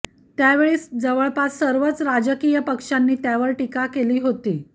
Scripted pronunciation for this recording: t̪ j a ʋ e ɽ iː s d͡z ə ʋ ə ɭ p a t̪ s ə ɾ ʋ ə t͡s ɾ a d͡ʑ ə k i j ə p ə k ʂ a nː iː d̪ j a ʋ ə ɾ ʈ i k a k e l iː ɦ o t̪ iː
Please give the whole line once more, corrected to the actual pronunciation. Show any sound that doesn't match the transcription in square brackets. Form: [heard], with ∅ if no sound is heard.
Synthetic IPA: t̪ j a ʋ e [ɭ] iː s d͡z ə ʋ ə ɭ p a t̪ s ə ɾ ʋ ə t͡s ɾ a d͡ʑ ə k i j ə p ə k ʂ a nː iː [t̪] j a ʋ ə ɾ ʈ i k a k e l iː ɦ o t̪ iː